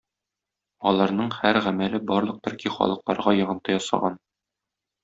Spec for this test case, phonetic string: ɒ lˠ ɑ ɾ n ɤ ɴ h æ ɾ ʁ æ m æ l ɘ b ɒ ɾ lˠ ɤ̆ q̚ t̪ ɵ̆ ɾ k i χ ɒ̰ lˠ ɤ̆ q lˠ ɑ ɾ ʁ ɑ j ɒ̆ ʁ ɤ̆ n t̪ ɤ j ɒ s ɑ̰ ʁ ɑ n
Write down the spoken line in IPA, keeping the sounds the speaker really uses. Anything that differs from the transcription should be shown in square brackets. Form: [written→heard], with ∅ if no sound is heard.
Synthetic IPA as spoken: ɒ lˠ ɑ ɾ n ɤ ɴ h æ ɾ ʁ æ m æ l ɘ b ɒ ɾ lˠ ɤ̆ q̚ t̪ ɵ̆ ɾ k i χ ɒ̰ lˠ ɤ̆ q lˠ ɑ ɾ ʁ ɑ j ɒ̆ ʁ ɤ̆ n t̪ ɤ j ɒ s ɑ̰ ʁ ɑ n